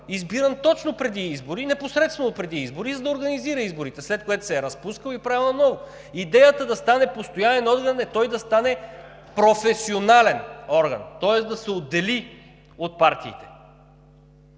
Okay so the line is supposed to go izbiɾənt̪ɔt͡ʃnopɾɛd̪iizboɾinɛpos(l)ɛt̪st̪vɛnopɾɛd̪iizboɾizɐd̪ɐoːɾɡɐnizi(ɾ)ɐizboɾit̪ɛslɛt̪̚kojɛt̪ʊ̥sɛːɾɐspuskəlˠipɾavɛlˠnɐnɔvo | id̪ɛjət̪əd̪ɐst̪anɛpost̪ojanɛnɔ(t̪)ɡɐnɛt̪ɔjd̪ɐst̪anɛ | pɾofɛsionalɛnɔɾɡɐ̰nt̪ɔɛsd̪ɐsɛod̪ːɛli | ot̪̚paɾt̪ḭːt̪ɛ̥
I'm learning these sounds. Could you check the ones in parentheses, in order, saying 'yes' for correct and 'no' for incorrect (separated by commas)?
no, yes, no